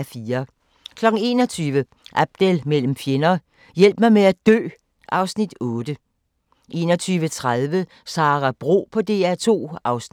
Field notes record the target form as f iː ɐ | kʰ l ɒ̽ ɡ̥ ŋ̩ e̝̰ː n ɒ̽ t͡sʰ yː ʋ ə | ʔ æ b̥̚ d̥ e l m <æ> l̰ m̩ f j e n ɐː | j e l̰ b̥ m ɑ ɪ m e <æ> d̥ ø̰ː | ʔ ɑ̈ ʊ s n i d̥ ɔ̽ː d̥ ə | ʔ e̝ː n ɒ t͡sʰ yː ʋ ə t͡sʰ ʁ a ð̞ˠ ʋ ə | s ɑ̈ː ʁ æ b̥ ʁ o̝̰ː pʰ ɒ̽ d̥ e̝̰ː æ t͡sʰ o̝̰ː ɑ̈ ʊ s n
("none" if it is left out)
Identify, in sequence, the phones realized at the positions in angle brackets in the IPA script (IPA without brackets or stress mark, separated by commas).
e, æ